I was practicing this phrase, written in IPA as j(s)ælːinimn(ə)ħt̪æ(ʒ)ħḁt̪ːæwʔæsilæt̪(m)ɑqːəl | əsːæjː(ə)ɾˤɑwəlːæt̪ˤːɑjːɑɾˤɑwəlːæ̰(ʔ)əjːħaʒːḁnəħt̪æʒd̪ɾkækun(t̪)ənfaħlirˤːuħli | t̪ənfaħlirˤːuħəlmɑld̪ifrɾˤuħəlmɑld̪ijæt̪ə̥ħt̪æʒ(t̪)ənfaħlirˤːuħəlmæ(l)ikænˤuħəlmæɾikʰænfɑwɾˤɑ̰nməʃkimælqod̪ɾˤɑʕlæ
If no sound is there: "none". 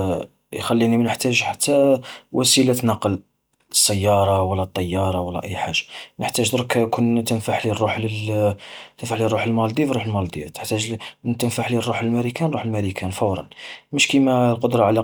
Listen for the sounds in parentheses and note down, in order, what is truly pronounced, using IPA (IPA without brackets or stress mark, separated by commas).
x, ə, ʒ, n, ɑ, ʔ, t̪, t̪, ɾ